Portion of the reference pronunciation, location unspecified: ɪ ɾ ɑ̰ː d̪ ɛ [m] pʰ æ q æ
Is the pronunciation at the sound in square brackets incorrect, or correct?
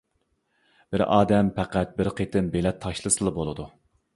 correct